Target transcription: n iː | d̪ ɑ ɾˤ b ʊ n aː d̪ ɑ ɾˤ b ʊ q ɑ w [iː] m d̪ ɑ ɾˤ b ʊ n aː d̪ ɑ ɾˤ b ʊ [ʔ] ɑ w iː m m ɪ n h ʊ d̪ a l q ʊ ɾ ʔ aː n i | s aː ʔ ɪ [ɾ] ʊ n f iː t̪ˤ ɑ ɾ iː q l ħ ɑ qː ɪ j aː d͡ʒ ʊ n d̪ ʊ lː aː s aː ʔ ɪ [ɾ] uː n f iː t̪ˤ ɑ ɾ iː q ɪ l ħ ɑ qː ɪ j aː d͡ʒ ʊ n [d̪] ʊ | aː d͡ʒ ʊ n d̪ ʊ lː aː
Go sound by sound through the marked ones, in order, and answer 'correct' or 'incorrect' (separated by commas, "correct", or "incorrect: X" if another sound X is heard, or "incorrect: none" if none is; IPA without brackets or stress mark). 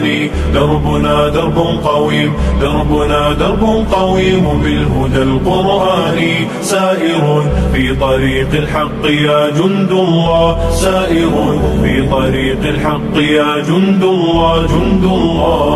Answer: correct, incorrect: q, correct, correct, correct